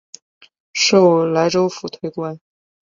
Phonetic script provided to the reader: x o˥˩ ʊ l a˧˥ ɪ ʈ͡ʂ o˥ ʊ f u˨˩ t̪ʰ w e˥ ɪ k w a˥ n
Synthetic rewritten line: ʂ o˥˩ ʊ l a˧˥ ɪ ʈ͡ʂ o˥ ʊ f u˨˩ t̪ʰ w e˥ ɪ k w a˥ n